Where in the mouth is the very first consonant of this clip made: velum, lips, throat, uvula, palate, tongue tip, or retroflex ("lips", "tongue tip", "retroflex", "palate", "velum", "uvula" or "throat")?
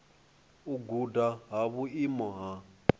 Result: velum